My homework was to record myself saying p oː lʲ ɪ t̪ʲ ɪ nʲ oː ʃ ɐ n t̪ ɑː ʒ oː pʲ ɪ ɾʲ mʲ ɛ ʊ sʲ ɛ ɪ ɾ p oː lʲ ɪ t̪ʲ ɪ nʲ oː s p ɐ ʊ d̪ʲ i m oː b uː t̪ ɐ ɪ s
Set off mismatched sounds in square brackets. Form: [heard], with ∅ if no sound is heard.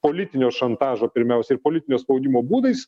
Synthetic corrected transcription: p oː lʲ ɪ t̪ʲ ɪ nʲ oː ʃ ɐ n t̪ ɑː ʒ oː pʲ ɪ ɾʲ mʲ ɛ ʊ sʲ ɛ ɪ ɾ p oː lʲ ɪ t̪ʲ ɪ nʲ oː s p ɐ ʊ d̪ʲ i m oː b uː [d̪] ɐ ɪ s

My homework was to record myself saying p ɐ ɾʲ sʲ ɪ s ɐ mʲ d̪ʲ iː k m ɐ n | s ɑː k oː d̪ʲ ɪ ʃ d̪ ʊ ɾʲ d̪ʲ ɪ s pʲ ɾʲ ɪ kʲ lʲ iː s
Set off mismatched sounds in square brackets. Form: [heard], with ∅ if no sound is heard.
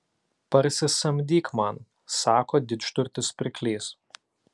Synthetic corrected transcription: p ɐ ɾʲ sʲ ɪ s ɐ mʲ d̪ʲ iː k m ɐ n | s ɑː k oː d̪ʲ ɪ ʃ [t̪] ʊ ɾʲ [t̪ʲ] ɪ s pʲ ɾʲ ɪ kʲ lʲ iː s

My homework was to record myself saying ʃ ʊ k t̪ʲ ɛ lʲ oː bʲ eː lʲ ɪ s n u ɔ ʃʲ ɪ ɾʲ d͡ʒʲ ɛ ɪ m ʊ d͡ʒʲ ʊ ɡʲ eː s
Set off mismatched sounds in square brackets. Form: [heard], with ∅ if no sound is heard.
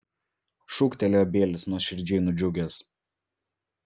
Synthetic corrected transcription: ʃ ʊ k t̪ʲ ɛ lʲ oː bʲ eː lʲ ɪ s n u ɔ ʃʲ ɪ ɾʲ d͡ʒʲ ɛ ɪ [n] ʊ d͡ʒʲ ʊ ɡʲ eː s

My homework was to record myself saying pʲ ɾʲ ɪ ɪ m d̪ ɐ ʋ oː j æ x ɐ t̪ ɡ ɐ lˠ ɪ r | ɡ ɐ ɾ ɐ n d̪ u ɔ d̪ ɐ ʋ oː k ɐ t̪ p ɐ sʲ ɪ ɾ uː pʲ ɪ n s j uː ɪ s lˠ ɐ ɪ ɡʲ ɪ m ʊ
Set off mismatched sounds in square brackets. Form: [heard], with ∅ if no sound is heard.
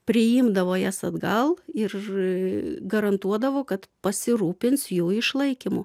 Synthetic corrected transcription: pʲ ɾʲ ɪ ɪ m d̪ ɐ ʋ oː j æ [s] ɐ [d̪] ɡ ɐ lˠ ɪ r | ɡ ɐ ɾ ɐ n [t̪] u ɔ d̪ ɐ ʋ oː k ɐ t̪ p ɐ sʲ ɪ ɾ uː pʲ ɪ n s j uː ɪ [ʃ] lˠ ɐ ɪ [kʲ] ɪ m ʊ

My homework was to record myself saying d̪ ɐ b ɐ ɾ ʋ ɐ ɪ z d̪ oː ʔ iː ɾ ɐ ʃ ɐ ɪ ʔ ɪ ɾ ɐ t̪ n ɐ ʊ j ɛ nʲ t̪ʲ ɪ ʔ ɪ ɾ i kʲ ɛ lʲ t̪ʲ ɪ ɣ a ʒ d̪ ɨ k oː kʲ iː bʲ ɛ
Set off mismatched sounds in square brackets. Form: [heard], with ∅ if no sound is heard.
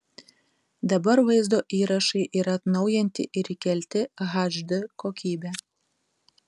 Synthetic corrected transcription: d̪ ɐ b ɐ ɾ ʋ ɐ ɪ z d̪ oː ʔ iː ɾ ɐ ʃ ɐ ɪ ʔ ɪ ɾ ɐ t̪ n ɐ ʊ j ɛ nʲ t̪ʲ ɪ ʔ ɪ ɾ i kʲ ɛ lʲ t̪ʲ ɪ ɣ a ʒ d̪ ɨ k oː kʲ iː bʲ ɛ

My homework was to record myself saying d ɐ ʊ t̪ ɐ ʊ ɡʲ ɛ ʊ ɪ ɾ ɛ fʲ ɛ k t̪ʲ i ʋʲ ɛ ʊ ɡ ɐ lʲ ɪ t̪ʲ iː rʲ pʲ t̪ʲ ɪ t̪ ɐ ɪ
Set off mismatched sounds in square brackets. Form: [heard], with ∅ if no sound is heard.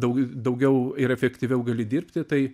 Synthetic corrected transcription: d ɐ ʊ [d̪] ɐ ʊ ɡʲ ɛ ʊ ɪ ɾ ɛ fʲ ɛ k t̪ʲ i ʋʲ ɛ ʊ ɡ ɐ lʲ ɪ [d̪ʲ] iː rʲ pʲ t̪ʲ ɪ t̪ ɐ ɪ

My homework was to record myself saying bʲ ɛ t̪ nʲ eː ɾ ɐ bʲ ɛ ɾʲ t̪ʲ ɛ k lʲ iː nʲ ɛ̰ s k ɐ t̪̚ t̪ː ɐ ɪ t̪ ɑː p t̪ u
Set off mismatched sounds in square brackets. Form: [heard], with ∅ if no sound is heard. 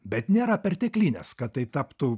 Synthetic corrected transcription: bʲ ɛ t̪ nʲ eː ɾ ɐ [pʲ] ɛ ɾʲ t̪ʲ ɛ k lʲ iː nʲ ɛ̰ s k ɐ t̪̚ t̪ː ɐ ɪ t̪ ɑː p t̪ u

